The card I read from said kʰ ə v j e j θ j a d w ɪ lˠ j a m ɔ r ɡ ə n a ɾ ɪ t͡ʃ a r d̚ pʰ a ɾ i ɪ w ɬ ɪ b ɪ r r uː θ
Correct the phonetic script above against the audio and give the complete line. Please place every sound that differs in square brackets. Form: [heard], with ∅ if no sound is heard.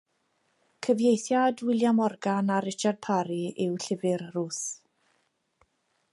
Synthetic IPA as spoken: kʰ ə v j e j θ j a d w ɪ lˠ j a m ɔ r ɡ [a] n a ɾ ɪ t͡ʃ a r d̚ pʰ a ɾ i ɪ w ɬ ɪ [v] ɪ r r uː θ